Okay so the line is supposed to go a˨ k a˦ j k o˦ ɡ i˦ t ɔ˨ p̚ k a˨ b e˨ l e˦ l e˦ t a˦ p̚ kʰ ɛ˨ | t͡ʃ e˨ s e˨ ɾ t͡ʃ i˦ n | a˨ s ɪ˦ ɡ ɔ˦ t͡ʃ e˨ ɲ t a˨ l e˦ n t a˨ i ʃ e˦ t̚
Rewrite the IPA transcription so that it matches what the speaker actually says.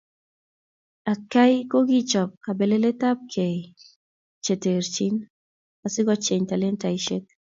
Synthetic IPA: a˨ k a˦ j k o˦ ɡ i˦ t͡ʃ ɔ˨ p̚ k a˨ b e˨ l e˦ l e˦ t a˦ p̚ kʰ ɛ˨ | t͡ʃ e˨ t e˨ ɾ t͡ʃ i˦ n | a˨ s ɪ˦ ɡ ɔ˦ t͡ʃ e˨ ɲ t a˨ l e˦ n t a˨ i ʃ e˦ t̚